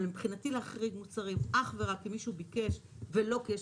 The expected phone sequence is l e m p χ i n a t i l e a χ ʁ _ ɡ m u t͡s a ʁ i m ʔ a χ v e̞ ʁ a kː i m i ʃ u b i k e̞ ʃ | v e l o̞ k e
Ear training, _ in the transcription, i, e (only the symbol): i